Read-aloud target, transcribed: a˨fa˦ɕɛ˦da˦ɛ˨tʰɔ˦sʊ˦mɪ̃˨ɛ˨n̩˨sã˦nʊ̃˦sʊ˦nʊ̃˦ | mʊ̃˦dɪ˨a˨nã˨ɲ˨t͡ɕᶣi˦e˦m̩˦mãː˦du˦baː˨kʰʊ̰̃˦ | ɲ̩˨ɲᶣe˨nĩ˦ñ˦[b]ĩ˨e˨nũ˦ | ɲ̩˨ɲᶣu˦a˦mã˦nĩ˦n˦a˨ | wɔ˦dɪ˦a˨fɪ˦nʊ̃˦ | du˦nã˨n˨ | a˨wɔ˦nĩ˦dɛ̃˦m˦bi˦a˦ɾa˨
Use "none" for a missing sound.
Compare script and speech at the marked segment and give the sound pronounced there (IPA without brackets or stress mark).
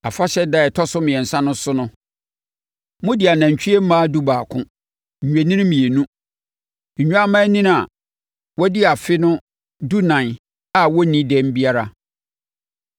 m